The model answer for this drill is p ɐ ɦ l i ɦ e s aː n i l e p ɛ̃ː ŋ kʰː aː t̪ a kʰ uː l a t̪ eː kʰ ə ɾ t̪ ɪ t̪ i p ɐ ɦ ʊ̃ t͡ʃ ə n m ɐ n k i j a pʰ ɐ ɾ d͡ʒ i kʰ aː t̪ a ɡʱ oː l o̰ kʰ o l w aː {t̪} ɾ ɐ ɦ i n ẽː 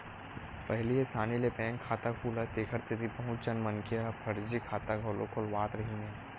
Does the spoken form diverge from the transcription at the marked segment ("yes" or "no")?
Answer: no